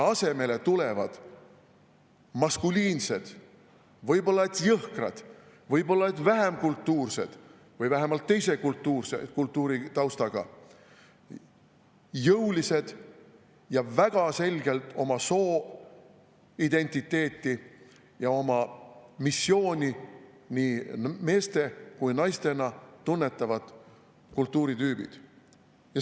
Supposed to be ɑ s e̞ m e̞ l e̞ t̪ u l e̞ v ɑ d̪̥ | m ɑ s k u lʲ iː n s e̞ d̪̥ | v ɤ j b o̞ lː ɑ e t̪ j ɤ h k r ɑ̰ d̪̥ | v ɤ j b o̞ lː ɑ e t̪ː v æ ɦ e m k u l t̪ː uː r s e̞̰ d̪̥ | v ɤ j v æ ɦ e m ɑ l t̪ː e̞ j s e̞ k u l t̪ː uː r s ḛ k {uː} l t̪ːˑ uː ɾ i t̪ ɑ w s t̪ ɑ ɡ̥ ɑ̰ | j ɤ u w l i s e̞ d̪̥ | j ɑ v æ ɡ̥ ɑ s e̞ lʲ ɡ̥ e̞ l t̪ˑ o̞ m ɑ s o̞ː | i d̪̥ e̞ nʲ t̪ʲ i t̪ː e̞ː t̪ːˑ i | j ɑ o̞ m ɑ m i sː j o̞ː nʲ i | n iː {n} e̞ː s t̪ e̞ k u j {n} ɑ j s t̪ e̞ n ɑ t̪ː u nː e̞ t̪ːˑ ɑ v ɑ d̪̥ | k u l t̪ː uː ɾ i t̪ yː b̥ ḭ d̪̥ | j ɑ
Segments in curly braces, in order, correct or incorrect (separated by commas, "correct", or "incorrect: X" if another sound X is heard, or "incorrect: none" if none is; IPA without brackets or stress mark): incorrect: u, incorrect: m, correct